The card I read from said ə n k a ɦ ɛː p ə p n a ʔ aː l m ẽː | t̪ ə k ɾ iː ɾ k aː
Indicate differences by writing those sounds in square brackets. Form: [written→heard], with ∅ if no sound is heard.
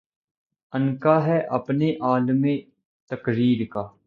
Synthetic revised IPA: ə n k a ɦ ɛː [p→ʔ] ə p n [a→e] ʔ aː l m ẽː | t̪ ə k ɾ iː ɾ k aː